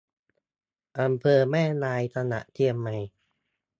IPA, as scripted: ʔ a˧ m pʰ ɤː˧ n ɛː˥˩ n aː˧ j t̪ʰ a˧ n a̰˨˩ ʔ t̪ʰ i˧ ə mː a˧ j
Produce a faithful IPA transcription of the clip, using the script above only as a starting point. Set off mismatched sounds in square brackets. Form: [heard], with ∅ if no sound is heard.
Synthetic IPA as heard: ʔ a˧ m pʰ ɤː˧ [m] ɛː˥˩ n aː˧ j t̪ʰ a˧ n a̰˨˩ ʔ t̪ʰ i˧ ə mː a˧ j